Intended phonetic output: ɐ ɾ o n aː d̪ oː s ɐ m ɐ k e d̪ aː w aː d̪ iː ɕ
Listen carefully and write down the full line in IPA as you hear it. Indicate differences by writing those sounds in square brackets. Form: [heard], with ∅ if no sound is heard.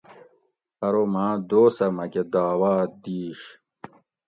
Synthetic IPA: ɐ ɾ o [m] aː d̪ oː s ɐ m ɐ k e d̪ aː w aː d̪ iː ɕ